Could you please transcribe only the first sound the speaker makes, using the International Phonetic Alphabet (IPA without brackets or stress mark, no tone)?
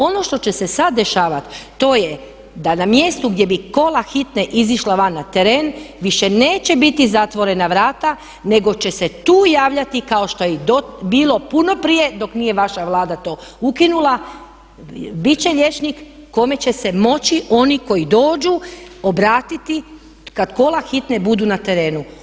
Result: o̞